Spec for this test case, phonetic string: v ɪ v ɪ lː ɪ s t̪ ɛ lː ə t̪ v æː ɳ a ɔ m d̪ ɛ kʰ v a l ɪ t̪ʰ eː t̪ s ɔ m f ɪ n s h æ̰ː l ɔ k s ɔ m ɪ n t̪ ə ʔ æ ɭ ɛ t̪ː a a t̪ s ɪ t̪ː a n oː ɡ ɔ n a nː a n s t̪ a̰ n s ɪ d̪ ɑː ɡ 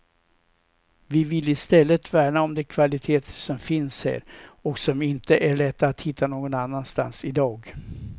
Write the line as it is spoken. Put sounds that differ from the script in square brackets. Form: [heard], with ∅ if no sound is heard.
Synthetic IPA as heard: v ɪ v ɪ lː ɪ s t̪ ɛ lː ə t̪ v æː ɳ a ɔ m d̪ ɛ kʰ v a l ɪ t̪ʰ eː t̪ s ɔ m f ɪ n s h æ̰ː [ɾ] ɔ k s ɔ m ɪ n t̪ ə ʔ æ ɭ ɛ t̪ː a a t̪ [h] ɪ t̪ː a n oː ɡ ɔ n a nː a n s t̪ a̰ n s ɪ d̪ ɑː ɡ